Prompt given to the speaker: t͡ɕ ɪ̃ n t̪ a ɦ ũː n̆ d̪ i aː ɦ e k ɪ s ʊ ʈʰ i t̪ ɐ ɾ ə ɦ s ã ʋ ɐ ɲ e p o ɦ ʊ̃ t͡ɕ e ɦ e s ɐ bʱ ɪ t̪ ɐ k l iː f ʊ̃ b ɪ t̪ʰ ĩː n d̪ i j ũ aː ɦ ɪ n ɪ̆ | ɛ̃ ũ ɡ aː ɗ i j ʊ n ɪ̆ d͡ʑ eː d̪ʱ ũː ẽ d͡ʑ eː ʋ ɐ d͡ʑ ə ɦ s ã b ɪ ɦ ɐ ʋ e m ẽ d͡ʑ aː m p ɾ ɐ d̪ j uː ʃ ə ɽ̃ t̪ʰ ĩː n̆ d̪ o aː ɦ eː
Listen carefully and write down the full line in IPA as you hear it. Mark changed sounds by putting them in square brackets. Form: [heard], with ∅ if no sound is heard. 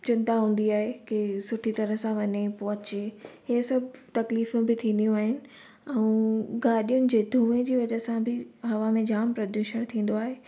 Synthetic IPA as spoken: t͡ɕ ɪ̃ n t̪ a ɦ ũː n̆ d̪ i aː ɦ e k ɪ s ʊ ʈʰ i t̪ ɐ ɾ ə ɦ s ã ʋ ɐ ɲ e p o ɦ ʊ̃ t͡ɕ e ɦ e s ɐ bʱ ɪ t̪ ɐ k l iː f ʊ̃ b ɪ t̪ʰ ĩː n d̪ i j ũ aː ɦ ɪ n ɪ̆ | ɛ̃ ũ ɡ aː ɗ i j ʊ n ɪ̆ d͡ʑ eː d̪ʱ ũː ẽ d͡ʑ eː ʋ ɐ d͡ʑ ə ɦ s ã b ɪ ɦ ɐ ʋ [a] m ẽ d͡ʑ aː m p ɾ ɐ d̪ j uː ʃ ə ɽ̃ t̪ʰ ĩː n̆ d̪ o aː ɦ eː